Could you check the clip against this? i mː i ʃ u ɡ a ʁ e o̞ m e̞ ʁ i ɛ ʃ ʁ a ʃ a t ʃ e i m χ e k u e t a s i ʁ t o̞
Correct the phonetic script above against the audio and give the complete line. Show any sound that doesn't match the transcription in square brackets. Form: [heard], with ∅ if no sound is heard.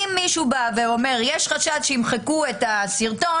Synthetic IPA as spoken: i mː i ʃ u [b] a [v] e o̞ m e̞ ʁ [j] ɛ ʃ [χ] a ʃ a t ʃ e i m χ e k u e t a s i ʁ t o̞